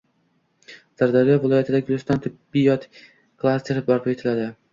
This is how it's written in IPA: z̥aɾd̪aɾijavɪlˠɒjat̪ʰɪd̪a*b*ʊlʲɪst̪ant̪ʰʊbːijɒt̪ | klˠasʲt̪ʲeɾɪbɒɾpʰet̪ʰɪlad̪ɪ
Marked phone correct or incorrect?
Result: incorrect